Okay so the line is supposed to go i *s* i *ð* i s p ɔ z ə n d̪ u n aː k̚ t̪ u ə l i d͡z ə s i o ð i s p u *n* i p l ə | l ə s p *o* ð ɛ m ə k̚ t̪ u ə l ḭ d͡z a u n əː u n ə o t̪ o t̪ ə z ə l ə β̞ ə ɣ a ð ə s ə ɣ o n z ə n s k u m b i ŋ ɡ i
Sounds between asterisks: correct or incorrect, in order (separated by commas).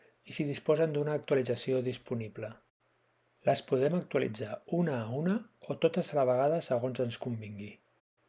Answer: correct, correct, correct, incorrect